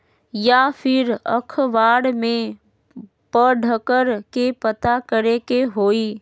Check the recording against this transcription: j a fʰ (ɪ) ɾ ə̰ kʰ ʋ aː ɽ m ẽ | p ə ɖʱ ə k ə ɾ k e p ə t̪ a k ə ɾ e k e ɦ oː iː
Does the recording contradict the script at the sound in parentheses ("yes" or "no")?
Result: no